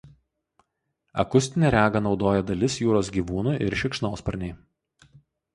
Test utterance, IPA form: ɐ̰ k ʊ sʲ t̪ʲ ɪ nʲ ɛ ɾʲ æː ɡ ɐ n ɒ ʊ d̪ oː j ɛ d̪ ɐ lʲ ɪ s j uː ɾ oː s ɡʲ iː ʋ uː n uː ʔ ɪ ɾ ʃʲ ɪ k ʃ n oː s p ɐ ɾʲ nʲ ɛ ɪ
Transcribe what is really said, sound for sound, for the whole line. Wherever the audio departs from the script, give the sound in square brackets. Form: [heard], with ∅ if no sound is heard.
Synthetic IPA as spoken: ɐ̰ k ʊ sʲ t̪ʲ ɪ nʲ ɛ ɾʲ æː ɡ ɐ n ɒ ʊ d̪ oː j ɛ d̪ ɐ lʲ ɪ s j uː ɾ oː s ɡʲ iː ʋ uː n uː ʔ ɪ ɾ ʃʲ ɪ k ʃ n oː s p ɐ ɾʲ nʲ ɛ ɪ